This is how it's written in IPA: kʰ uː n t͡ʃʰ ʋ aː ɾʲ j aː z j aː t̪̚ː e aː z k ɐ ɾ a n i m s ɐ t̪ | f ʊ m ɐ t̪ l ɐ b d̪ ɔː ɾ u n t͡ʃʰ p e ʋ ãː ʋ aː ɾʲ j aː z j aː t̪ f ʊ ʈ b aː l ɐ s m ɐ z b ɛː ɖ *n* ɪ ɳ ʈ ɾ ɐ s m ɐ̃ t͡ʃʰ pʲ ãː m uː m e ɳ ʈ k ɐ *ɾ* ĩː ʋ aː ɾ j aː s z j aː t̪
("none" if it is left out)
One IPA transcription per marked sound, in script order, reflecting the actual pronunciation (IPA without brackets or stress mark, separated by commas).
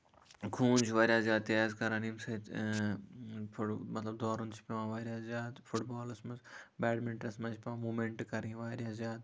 m, ɾ